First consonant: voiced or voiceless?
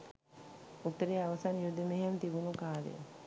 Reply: voiceless